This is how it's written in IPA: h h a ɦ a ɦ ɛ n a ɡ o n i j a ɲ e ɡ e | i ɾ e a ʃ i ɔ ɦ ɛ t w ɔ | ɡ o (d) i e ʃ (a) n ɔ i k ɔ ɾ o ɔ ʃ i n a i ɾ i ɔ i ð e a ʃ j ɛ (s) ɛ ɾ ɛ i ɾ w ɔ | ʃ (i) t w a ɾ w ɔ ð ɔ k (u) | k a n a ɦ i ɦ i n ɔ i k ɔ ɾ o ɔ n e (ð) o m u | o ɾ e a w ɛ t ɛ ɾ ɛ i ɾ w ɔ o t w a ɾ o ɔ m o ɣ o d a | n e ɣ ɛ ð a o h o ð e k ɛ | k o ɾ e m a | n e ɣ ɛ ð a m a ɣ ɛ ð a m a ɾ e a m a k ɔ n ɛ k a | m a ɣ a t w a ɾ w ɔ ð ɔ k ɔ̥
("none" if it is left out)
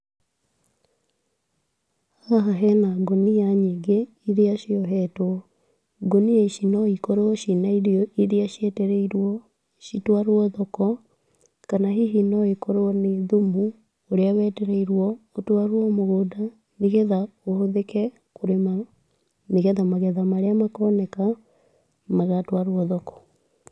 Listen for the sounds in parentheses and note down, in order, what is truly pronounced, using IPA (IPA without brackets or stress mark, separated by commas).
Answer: n, i, t, i, ɔ, ð